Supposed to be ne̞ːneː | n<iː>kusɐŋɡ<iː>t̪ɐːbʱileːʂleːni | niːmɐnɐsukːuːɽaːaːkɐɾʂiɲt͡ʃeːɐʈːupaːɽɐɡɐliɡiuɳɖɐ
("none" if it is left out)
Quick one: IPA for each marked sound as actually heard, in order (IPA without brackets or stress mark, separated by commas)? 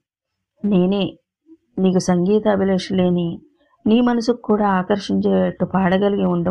iː, iː